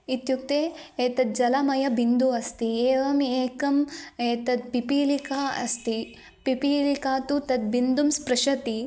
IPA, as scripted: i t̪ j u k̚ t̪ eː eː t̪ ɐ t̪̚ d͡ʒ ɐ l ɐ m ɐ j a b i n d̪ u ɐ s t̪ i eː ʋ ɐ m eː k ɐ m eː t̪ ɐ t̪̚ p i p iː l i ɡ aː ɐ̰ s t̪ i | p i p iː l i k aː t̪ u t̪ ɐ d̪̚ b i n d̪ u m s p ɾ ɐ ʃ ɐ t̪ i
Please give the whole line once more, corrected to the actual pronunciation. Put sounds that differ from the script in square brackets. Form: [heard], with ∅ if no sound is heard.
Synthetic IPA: i t̪ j u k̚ t̪ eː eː t̪ ɐ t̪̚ d͡ʒ ɐ l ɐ m ɐ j [ɐ] b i n d̪ u ɐ s t̪ i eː ʋ ɐ m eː k ɐ m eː t̪ ɐ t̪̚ p i p iː l i [k] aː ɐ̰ s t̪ i | p i p iː l i k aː t̪ u t̪ ɐ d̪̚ b i n d̪ u m s p ɾ ɐ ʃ ɐ t̪ i